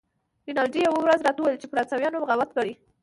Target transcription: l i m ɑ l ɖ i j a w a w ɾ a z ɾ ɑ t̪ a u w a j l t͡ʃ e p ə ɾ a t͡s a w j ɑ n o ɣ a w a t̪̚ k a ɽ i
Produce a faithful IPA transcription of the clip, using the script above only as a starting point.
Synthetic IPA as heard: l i n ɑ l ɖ i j a w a w ɾ a z ɾ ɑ t̪ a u w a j l t͡ʃ e p ə ɾ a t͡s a w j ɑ n o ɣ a w a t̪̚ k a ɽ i